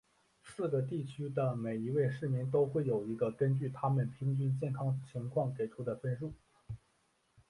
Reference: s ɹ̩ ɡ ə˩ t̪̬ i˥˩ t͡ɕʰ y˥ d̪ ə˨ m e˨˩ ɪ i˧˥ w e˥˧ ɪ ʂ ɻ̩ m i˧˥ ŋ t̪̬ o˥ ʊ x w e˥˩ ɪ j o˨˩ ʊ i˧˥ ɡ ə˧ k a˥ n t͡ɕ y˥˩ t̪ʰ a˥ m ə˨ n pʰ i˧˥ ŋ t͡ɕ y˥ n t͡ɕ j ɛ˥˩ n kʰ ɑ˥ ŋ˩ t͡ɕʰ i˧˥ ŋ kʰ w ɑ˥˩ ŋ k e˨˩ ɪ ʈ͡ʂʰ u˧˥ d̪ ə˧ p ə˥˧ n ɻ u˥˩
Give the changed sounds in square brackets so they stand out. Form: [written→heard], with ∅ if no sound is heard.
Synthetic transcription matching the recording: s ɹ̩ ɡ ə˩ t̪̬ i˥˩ t͡ɕʰ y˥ d̪ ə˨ m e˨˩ ɪ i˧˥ w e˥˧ ɪ ʂ ɻ̩ m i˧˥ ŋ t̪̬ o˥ ʊ x w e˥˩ ɪ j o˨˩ ʊ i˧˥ ɡ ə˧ k [a˥→ə˥] n t͡ɕ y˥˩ t̪ʰ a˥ m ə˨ n pʰ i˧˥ ŋ t͡ɕ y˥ n t͡ɕ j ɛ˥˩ n kʰ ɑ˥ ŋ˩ t͡ɕʰ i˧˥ ŋ kʰ w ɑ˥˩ ŋ k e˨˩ ɪ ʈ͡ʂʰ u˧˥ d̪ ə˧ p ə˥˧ n ɻ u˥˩